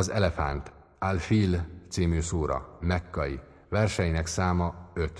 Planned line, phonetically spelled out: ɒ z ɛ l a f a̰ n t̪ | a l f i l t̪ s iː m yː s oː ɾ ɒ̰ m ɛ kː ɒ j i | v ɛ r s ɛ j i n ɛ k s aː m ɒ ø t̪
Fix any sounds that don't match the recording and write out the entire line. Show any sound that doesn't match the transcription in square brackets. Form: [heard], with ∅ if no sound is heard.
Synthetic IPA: ɒ z ɛ l [ɛ] f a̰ n t̪ | a l f i l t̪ s iː m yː s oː ɾ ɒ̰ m ɛ kː ɒ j i | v ɛ r [ʃ] ɛ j i n ɛ k s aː m ɒ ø t̪